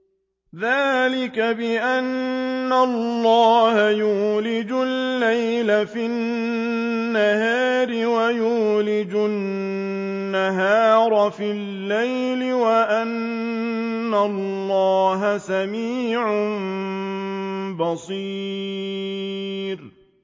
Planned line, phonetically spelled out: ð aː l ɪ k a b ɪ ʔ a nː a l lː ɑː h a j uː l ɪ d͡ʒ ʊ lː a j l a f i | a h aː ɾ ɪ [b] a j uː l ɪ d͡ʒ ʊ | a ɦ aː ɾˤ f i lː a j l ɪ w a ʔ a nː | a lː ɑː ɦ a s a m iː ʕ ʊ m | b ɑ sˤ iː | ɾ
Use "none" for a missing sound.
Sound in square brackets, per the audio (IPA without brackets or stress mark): w